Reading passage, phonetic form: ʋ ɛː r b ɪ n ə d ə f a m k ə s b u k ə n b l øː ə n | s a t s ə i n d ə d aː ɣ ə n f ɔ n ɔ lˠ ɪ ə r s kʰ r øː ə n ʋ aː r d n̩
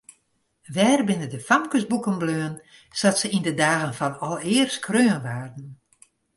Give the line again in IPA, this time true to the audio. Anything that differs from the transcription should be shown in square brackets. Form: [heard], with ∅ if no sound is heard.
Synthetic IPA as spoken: ʋ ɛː r b ɪ n ə d ə f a m k ə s b u k ə n b l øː ə n | s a t s ə i n d ə d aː ɣ ə n f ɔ n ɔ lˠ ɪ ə r s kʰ r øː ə n ʋ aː r d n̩